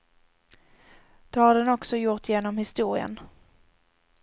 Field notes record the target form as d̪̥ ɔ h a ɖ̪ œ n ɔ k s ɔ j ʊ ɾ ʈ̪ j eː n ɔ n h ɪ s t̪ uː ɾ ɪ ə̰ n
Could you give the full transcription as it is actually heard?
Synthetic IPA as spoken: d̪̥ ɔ h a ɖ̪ ɛ n ɔ k s ɔ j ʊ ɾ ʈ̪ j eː n ɔ m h ɪ s t̪ uː ɾ ɪ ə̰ n

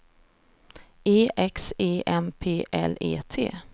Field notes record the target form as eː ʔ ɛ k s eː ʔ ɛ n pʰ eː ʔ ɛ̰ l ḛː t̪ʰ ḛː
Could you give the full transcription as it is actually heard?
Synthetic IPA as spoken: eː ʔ ɛ k s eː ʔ ɛ m pʰ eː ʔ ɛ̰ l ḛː t̪ʰ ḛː

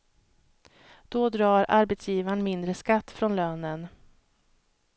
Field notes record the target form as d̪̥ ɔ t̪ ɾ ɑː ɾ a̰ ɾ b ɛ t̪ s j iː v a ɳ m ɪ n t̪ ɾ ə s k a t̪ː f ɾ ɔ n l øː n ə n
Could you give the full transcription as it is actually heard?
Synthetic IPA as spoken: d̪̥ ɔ d̪ ɾ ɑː ɾ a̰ ɾ b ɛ t̪ s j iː v a ɳ m ɪ n d̪ ɾ ə s k a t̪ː f ɾ ɔ n l øː n ə n

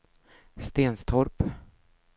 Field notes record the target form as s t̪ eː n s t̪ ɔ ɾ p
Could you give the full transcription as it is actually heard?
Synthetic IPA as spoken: s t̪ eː n s t̪ʰ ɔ ɾ p

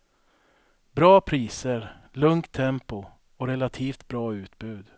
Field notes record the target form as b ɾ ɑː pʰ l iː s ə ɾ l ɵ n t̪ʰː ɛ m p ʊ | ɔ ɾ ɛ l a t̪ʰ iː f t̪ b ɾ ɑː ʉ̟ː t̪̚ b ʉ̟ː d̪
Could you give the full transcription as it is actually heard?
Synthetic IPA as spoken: b ɾ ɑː pʰ ɾ iː s ə ɾ l ɵ ŋ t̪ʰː ɛ m p ʊ | ɔ ɾ ɛ l a t̪ʰ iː f t̪ b ɾ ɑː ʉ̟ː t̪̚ b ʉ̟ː d̪

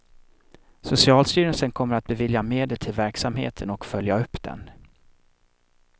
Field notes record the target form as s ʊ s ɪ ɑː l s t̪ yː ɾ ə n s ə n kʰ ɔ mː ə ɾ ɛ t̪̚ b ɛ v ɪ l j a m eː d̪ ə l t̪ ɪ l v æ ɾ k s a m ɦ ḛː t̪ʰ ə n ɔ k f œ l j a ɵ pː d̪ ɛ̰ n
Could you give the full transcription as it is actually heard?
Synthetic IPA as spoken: s ʊ s ɪ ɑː l s t̪ yː ɾ ə n s ə n kʰ ɔ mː ə ɾ a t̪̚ b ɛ v ɪ l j a m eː d̪ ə l t̪ʰ ɪ l v æ ɾ k s a m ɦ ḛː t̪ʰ ə n ɔ k f œ l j a ɵ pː d̪ ɛ̰ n

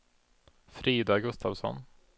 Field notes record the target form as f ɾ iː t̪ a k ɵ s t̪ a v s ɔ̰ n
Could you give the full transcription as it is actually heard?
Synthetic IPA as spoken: f ɾ iː d̪ a ɡ ɵ s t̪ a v s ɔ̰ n

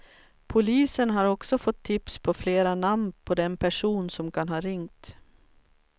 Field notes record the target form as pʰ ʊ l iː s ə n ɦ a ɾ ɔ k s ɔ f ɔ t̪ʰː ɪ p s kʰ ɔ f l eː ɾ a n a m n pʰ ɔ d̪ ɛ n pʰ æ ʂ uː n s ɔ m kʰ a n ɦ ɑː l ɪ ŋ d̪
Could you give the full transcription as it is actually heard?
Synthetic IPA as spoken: pʰ ʊ l iː s ə n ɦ a ɾ ɔ k s ɔ f ɔ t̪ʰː ɪ p s pʰ ɔ f l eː ɾ a n a m n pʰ ɔ d̪ ɛ n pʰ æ ʂ uː n s ɔ m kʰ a n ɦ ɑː ɾ ɪ ŋ t̪

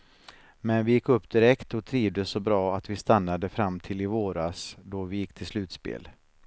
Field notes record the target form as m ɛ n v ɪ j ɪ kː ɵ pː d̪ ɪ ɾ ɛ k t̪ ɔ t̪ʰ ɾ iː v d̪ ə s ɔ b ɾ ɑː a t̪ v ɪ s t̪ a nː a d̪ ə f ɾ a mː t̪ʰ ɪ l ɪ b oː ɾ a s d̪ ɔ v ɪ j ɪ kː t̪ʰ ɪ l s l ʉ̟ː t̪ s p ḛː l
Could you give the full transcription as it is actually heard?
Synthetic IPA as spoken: m ɛ n v ɪ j ɪ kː ɵ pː d̪ ɪ ɾ ɛ k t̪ ɔ t̪ʰ ɾ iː v d̪ ə s ɔ b ɾ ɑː a t̪ v ɪ s t̪ a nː a d̪ ə f ɾ a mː t̪ʰ ɪ l ɪ v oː ɾ a s d̪ ɔ v ɪ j ɪ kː t̪ʰ ɪ l s l ʉ̟ː t̪ s p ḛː l

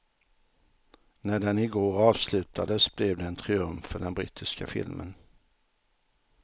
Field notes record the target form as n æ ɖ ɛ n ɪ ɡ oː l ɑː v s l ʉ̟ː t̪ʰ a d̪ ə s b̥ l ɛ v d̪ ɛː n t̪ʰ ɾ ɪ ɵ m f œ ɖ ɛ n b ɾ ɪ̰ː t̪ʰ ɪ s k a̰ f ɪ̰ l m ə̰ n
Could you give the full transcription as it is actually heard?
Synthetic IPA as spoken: n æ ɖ ɛ n ɪ ɡ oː ɾ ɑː v s l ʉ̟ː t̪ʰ a d̪ ə s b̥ l ɛ v d̪ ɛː n t̪ʰ ɾ ɪ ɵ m f œ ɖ ɛ n b ɾ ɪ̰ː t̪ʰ ɪ s k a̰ f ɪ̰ l m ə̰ n

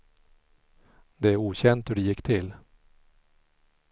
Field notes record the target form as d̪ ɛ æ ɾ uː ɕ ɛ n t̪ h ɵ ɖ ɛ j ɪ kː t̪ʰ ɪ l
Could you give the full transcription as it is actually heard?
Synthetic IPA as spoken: d̪ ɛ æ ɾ uː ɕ ɛ n t̪ h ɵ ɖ ɛ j ɪ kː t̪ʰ ɪ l

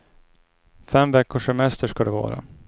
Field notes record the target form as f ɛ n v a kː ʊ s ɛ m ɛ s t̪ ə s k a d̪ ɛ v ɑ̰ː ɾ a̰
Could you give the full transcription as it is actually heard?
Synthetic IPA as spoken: f ɛ m v ɛ kː ʊ ʂ ɛ m ɛ s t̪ ə ʂ k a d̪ ɛ v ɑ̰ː ɾ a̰

